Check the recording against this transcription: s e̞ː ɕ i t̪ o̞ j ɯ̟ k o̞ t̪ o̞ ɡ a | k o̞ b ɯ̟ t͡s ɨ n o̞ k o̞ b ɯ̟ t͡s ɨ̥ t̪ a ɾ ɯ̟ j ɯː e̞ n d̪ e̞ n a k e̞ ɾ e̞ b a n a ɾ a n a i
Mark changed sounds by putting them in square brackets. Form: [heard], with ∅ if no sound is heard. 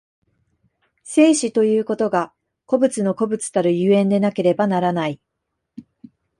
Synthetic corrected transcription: s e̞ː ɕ i t̪ o̞ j [ɯ̟ː] k o̞ t̪ o̞ ɡ a | k o̞ b ɯ̟ t͡s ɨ n o̞ k o̞ b ɯ̟ t͡s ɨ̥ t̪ a ɾ ɯ̟ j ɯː [ẽ̞] n d̪ e̞ n a k e̞ ɾ e̞ b a n a ɾ a n a i